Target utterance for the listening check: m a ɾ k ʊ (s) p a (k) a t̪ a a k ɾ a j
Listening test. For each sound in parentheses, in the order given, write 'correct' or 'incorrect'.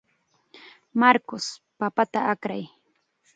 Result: correct, incorrect: p

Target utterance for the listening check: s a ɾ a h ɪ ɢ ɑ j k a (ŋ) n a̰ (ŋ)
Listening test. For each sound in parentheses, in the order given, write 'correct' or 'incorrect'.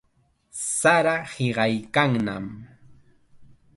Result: correct, incorrect: m

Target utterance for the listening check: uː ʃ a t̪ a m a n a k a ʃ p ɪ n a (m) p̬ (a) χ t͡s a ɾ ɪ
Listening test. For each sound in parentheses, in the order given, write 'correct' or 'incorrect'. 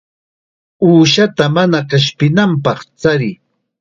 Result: correct, incorrect: ɑ

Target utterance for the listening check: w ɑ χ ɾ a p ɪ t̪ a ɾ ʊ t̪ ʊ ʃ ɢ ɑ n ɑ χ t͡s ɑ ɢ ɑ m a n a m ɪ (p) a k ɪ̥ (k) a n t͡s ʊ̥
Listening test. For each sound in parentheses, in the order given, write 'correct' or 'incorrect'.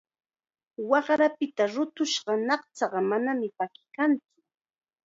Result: correct, correct

